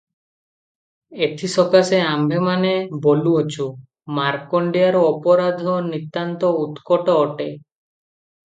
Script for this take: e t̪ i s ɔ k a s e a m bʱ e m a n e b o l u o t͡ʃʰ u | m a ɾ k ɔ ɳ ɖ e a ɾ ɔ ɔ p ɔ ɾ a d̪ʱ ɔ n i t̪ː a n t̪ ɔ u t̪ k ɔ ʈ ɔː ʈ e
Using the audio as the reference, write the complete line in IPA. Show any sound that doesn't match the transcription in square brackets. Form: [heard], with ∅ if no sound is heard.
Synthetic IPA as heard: e [t̪ʰ] i s ɔ k a s e a m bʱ e m a n e b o l u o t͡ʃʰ u | m a ɾ k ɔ ɳ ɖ [i] a ɾ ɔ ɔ p ɔ ɾ a d̪ʱ ɔ n i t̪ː a n t̪ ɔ u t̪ k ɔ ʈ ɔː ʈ e